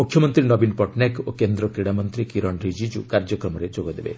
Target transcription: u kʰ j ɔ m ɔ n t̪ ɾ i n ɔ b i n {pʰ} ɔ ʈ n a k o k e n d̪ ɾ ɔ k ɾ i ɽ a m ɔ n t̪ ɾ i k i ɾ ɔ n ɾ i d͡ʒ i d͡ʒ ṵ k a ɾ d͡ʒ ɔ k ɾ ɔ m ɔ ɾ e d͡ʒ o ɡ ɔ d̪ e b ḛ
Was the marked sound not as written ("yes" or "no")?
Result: yes